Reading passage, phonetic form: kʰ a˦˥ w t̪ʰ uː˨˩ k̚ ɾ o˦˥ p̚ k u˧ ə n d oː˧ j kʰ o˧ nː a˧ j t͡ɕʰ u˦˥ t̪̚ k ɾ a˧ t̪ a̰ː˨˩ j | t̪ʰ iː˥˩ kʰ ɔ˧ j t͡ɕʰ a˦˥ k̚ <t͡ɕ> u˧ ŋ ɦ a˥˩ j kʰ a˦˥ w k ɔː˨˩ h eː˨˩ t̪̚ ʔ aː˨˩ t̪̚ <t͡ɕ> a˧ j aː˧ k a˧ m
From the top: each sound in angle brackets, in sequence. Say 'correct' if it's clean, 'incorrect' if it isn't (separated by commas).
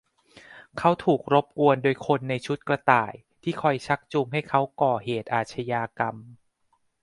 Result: correct, incorrect